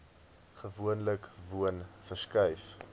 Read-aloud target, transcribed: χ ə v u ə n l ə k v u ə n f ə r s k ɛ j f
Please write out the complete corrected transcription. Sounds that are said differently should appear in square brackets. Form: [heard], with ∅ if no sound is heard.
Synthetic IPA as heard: χ ə v u ə n l ə k v u ə n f ə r s k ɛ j f